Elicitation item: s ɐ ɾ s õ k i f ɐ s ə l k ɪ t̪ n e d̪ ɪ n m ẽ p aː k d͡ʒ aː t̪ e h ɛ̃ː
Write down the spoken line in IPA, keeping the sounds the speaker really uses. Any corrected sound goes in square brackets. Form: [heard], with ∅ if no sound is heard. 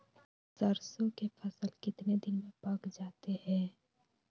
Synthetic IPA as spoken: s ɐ ɾ s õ k [e] f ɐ s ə l k ɪ t̪ n e d̪ ɪ n m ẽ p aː k d͡ʒ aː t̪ e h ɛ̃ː